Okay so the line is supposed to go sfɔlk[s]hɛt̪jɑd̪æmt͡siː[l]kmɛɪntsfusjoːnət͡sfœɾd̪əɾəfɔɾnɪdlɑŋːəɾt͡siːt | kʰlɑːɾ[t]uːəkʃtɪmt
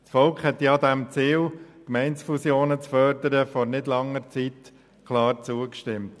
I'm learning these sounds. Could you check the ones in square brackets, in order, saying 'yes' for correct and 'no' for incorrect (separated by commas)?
no, yes, no